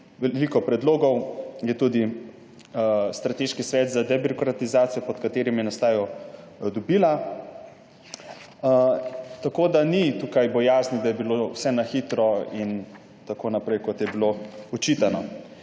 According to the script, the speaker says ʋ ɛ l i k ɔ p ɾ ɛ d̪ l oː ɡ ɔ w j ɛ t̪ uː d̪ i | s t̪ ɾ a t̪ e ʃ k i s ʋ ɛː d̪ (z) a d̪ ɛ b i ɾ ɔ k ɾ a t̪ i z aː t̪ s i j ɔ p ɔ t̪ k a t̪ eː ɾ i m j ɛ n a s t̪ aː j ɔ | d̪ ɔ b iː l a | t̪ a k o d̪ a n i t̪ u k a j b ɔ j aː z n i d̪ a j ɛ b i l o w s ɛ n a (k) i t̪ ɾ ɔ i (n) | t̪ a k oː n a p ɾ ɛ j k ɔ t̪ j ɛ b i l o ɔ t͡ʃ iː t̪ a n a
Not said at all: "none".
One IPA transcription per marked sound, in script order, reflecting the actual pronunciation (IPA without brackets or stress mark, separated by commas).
z, x, n